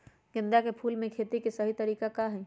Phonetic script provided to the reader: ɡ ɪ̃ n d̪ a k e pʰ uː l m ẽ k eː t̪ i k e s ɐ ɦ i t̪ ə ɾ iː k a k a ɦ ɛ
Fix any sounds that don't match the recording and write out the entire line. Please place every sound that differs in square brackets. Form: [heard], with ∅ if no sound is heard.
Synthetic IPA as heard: ɡ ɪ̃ n d̪ a k e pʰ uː l m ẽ [kʰ] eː t̪ i k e s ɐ ɦ i t̪ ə ɾ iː k a k a ɦ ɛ